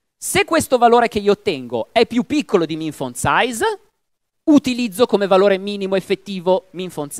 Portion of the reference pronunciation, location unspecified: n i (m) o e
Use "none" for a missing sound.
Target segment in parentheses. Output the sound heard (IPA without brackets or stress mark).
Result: m